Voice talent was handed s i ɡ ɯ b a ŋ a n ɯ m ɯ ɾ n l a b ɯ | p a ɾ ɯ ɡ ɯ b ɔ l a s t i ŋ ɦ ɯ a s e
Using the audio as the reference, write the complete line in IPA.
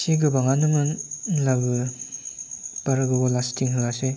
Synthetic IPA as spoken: s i ɡ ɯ b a ŋ a n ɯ m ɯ n l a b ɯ | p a ɾ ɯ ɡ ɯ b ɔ l a s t i ŋ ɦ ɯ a s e